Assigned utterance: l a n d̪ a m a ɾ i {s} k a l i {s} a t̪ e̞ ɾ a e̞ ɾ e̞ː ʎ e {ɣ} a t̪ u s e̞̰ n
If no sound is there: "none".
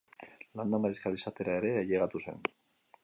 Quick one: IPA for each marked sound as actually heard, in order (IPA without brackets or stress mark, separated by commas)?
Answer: s, s, ɣ